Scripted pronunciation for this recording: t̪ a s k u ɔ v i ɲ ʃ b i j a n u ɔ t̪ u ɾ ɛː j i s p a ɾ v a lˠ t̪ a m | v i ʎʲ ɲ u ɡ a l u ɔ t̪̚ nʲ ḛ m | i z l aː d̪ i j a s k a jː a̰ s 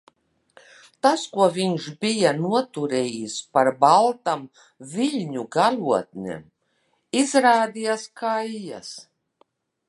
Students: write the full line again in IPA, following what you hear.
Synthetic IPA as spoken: t̪ a s k u ɔ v i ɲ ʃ b i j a n u ɔ t̪ u ɾ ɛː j i s p a ɾ b a lˠ t̪ a m | v i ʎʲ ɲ u ɡ a l u ɔ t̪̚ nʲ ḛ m | i z ɾ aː d̪ i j a s k a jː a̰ s